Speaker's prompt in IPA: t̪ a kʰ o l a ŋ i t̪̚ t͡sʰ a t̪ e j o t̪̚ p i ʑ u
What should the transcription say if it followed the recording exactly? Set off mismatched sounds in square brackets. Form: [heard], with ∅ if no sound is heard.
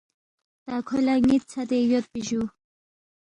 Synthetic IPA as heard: t̪ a kʰ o l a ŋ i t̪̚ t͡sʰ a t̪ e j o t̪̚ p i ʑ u